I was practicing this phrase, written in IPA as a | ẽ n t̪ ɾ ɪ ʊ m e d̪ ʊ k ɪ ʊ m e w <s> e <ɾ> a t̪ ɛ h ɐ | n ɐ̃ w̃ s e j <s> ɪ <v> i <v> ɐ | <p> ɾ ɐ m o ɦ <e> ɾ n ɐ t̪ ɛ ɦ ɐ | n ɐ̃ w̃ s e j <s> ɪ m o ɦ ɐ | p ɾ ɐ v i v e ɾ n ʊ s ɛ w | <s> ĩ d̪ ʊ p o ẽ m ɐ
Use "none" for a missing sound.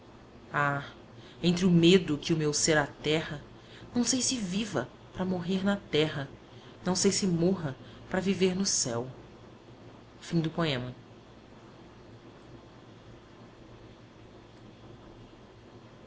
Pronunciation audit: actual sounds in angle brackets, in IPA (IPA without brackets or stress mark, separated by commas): s, ɾ, s, v, v, p, e, s, f